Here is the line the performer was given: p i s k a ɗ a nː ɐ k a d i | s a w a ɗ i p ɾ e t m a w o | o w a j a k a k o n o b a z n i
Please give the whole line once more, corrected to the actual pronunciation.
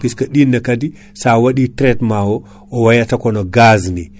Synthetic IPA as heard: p i s k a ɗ i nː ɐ k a d i | s a w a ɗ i t ɾ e t m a w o | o w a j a t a k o n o ɡ a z n i